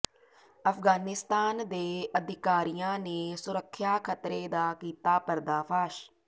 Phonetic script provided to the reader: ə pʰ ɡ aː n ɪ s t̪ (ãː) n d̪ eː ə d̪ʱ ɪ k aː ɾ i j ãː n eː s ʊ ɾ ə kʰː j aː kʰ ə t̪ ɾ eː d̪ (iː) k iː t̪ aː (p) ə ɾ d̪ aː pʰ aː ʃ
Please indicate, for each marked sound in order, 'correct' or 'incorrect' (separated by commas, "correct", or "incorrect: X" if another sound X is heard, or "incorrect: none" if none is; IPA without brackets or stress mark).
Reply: incorrect: aː, incorrect: aː, correct